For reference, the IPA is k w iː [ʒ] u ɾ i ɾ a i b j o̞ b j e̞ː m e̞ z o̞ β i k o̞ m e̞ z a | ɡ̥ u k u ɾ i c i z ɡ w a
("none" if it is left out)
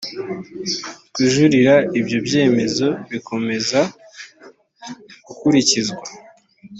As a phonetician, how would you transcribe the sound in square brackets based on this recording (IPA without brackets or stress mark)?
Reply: ʒ